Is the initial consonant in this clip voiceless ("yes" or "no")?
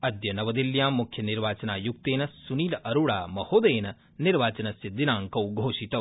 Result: no